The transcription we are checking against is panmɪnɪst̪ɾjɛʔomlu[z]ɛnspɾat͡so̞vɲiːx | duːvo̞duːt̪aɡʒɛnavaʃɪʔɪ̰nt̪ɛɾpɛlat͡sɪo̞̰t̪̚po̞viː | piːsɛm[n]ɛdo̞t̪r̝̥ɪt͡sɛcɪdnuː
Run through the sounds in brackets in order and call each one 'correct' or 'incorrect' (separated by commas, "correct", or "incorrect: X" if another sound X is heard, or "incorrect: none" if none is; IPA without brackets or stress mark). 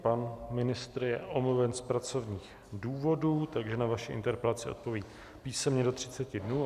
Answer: incorrect: v, incorrect: ɲ